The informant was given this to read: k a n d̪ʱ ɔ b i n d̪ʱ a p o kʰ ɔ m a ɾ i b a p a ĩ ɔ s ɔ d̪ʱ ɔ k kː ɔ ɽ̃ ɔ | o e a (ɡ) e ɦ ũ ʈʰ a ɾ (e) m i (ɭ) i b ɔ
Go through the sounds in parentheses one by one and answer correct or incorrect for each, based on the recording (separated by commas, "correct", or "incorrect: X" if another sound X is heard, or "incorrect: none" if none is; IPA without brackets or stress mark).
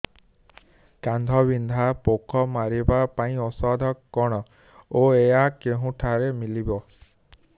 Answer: incorrect: k, correct, incorrect: l